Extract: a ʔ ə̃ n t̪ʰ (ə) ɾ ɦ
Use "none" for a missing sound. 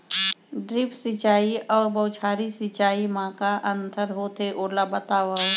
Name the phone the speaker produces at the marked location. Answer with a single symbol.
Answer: ə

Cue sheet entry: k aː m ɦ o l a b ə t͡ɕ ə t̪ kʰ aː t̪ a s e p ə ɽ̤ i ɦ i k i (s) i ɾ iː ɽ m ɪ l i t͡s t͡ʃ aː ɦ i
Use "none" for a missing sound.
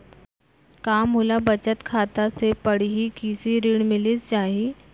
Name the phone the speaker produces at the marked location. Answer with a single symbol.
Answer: s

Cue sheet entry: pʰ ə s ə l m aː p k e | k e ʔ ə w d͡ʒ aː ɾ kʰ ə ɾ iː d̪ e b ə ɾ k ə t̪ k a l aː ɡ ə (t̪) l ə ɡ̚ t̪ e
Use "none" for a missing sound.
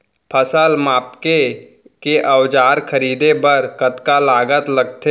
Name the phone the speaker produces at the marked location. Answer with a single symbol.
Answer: t̪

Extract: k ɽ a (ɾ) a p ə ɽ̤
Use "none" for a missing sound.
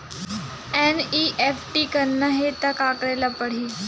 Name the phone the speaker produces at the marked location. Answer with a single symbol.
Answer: l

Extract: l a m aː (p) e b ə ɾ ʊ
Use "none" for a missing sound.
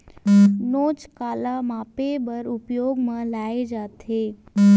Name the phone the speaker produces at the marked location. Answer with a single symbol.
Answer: p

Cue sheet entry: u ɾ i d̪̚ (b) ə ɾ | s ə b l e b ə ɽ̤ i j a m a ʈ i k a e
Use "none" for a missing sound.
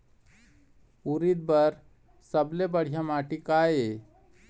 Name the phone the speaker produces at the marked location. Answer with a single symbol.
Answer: b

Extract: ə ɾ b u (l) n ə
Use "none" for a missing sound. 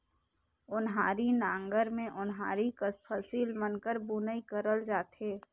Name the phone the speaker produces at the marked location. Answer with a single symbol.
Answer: none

